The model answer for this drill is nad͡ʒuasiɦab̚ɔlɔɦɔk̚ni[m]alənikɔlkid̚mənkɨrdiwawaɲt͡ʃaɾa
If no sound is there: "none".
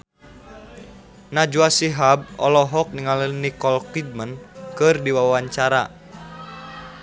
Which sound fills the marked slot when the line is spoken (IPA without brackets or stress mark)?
ŋ